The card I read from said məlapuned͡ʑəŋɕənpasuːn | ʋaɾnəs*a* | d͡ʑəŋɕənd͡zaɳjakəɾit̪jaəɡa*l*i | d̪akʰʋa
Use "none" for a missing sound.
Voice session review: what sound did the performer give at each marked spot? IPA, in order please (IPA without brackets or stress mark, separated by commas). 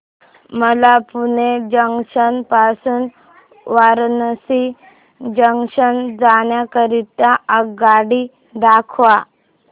i, ɽ